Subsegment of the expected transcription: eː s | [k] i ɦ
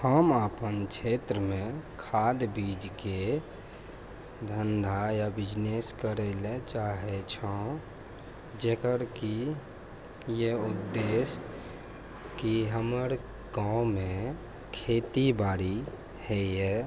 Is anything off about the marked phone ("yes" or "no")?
no